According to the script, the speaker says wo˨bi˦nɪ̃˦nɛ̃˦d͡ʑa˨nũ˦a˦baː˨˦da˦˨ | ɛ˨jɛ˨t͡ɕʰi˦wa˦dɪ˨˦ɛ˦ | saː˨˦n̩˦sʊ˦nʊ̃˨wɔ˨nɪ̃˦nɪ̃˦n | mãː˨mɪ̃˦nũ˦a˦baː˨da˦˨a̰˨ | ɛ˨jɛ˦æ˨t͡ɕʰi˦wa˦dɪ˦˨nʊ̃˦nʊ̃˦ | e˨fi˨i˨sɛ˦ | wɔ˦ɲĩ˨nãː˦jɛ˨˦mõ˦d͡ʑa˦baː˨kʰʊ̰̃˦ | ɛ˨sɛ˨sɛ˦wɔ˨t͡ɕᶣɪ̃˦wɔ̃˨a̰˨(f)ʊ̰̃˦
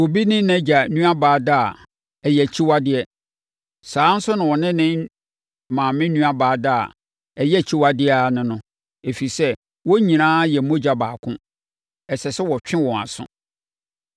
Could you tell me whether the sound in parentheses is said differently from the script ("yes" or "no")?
yes